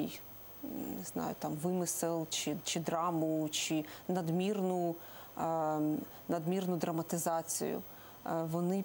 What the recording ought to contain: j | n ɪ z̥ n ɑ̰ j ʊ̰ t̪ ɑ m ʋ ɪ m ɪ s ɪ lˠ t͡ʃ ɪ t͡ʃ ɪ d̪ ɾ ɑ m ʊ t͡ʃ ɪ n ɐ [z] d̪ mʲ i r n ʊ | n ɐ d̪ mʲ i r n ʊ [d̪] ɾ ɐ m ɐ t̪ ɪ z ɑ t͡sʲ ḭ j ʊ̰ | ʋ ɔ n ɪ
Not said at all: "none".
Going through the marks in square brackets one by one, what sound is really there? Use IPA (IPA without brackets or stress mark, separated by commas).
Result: none, d̪